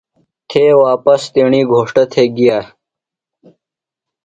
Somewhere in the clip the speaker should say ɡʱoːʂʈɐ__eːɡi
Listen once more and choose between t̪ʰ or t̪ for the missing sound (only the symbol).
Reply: t̪ʰ